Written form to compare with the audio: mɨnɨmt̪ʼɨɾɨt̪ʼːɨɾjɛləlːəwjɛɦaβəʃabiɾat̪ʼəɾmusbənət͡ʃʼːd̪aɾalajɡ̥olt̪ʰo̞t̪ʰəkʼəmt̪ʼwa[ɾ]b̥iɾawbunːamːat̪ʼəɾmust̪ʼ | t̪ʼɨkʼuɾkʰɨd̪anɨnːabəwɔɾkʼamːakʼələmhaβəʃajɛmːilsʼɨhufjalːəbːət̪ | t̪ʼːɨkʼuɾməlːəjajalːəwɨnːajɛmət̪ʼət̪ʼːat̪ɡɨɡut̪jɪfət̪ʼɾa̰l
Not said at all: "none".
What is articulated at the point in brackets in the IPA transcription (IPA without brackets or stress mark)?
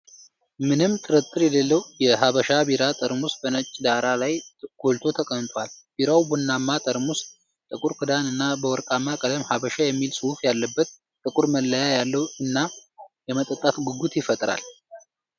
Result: l